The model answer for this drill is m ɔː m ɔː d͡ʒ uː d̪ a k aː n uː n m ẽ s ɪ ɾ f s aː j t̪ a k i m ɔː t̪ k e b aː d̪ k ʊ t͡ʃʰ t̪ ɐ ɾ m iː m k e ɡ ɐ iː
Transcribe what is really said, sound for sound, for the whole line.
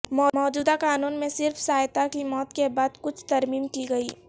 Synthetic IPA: m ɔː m ɔː d͡ʒ uː d̪ a k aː n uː n m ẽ s ɪ ɾ f s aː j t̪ a k i m ɔː t̪ k e b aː d̪ k ʊ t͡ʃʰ t̪ ɐ ɾ m iː m k i ɡ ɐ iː